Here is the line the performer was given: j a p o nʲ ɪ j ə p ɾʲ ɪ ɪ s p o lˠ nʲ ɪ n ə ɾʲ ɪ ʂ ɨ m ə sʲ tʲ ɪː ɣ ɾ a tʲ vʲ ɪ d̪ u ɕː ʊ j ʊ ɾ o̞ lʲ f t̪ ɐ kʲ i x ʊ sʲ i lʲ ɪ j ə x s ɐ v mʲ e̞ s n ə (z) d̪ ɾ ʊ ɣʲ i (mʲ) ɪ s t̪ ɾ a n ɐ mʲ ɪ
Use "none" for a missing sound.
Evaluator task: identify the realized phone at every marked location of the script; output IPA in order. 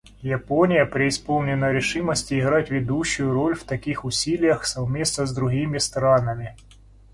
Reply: z, mʲ

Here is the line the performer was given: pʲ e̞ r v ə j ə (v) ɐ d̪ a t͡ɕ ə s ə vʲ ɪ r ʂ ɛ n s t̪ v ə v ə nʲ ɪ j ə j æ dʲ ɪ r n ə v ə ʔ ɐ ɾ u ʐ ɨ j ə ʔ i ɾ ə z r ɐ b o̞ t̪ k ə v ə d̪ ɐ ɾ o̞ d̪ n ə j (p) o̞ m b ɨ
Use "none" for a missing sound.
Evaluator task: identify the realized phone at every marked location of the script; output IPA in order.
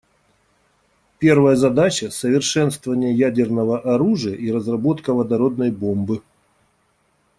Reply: z, b

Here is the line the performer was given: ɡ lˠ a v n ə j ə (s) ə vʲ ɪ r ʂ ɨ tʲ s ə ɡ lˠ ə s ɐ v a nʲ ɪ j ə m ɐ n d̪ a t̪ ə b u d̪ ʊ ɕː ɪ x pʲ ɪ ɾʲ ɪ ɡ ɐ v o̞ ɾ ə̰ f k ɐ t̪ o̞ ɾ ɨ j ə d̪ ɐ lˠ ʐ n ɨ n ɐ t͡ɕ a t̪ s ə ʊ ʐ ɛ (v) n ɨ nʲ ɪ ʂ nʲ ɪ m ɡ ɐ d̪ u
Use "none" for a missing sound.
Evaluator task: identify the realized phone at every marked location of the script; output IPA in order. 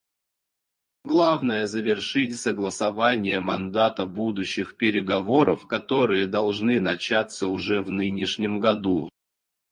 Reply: z, v

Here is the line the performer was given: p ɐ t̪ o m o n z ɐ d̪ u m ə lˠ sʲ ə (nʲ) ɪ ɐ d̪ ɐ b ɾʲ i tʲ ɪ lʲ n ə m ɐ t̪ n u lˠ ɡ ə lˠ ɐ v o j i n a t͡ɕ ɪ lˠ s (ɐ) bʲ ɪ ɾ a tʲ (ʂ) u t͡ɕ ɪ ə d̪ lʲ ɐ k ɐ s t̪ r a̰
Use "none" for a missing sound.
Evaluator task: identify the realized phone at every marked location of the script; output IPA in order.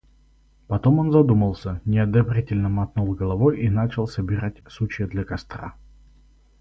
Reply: nʲ, ə, s

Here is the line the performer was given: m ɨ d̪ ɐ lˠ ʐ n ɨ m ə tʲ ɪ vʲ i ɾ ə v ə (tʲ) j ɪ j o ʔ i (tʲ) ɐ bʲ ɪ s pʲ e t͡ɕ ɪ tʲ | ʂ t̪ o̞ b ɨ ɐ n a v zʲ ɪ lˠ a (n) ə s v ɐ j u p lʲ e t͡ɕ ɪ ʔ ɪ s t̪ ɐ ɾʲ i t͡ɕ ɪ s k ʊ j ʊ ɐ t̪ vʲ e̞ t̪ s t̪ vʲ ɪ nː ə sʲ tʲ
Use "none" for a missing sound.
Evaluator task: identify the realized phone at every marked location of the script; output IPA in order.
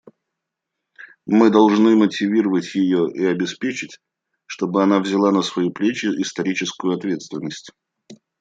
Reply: tʲ, none, n

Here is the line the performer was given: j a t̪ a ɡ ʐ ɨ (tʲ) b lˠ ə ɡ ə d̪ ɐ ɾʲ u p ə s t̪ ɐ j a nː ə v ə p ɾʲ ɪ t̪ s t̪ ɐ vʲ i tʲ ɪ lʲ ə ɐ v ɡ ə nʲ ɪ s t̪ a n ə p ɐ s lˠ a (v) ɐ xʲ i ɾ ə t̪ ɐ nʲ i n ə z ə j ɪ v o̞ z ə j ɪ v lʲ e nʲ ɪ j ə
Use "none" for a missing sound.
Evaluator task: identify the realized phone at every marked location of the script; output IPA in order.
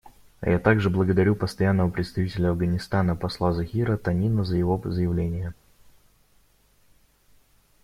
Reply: none, z

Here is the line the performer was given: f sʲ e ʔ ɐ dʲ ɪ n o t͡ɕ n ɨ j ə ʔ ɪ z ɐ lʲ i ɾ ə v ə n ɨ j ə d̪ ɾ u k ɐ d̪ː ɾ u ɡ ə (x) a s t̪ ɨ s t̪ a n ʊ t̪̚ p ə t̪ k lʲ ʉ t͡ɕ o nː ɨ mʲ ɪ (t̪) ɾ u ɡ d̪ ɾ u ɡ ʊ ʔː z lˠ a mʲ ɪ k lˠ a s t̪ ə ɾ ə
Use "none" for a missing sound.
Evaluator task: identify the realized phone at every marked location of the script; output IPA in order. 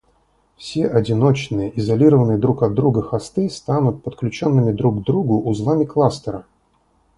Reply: x, d̪

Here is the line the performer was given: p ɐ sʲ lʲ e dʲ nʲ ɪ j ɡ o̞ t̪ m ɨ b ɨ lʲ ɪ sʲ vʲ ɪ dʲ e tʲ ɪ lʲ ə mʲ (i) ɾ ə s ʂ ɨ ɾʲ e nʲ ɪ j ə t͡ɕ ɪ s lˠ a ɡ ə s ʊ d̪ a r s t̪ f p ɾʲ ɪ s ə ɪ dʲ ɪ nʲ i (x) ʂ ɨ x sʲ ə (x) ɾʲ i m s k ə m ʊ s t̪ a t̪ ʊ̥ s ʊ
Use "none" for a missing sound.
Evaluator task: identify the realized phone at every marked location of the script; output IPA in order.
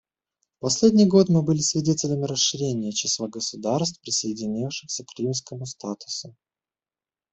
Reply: ɪ, f, k

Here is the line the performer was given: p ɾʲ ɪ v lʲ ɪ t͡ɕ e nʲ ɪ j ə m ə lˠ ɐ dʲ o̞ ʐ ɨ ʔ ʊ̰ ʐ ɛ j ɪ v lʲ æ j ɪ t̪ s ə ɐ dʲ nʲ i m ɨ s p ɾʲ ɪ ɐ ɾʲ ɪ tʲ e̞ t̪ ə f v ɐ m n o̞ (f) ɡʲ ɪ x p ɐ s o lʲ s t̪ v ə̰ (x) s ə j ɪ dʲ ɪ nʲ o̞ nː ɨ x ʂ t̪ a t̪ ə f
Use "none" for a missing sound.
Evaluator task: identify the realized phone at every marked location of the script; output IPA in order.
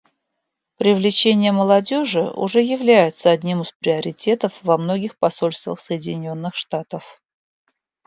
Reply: none, x

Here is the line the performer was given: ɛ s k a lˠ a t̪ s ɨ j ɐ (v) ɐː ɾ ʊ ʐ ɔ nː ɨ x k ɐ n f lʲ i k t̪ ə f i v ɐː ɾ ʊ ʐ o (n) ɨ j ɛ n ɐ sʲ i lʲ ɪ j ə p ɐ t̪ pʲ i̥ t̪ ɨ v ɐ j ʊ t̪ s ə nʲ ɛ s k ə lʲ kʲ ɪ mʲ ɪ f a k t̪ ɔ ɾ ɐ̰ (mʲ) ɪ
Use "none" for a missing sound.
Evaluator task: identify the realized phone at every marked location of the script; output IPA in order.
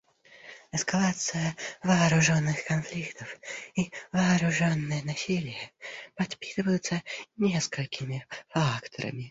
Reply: v, nː, mʲ

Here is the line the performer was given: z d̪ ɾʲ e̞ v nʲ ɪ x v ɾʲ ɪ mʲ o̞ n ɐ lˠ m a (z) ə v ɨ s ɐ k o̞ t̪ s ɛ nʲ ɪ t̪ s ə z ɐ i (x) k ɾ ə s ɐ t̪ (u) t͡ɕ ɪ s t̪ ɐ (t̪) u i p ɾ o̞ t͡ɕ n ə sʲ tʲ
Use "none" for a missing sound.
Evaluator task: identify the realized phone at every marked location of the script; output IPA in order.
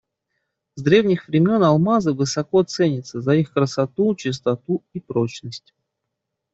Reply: z, x, u, t̪

